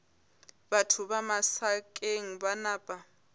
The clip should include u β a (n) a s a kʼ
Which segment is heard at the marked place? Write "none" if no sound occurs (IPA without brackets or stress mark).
m